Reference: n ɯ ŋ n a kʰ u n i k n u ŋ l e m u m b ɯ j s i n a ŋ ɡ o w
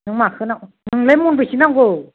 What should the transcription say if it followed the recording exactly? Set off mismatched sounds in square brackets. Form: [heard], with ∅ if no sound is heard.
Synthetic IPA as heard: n ɯ ŋ [m] a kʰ [ɯ] n [a] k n [ɯ] ŋ l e m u [n] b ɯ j s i n a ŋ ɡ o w